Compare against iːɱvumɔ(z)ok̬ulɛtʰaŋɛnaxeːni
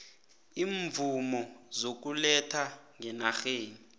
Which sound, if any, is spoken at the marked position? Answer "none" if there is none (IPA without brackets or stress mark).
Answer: z